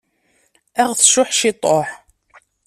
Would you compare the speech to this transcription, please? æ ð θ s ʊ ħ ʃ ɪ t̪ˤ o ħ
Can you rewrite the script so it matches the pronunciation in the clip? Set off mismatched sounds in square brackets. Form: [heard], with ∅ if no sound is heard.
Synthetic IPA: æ [ʁ] θ [ʃ] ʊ ħ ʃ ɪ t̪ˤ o ħ